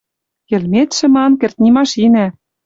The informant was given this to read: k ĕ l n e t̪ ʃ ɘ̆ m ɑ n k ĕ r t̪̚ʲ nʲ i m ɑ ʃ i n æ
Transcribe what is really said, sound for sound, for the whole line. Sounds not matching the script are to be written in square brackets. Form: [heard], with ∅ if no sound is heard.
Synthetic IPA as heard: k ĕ l [m] e t̪ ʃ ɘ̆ m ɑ n k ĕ r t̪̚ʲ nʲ i m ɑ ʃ i n æ